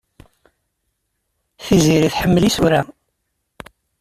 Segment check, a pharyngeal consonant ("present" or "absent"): present